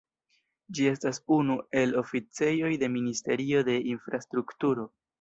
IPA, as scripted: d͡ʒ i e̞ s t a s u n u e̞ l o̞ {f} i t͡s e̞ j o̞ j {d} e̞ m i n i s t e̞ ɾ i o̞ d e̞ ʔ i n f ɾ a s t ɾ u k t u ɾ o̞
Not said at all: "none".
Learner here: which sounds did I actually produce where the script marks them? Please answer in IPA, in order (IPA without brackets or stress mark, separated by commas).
f, d